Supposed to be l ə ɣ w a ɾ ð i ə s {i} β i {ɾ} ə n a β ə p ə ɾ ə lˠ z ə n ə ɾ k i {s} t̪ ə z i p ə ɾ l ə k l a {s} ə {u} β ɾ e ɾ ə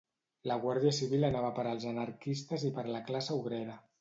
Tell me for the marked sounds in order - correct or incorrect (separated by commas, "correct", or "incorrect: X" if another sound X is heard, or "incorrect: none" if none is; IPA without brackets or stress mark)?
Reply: correct, incorrect: l, correct, correct, correct